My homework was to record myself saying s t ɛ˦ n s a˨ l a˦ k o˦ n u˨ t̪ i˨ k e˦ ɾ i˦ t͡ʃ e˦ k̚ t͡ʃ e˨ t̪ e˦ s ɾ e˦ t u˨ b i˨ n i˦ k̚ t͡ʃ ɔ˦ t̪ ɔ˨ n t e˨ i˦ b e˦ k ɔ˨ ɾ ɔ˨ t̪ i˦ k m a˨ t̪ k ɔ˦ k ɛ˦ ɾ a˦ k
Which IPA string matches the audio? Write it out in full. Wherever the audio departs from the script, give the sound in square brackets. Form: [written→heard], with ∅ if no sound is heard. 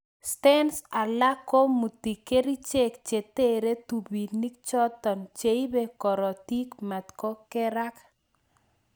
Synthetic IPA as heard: s t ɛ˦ n s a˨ l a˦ k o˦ [n→m] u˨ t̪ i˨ k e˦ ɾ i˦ t͡ʃ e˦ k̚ t͡ʃ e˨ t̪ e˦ [s→∅] ɾ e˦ t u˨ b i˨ n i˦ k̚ t͡ʃ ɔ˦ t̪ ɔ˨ n [t→t͡ʃ] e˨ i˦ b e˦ k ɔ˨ ɾ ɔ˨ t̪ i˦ k m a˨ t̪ k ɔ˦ k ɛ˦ ɾ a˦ k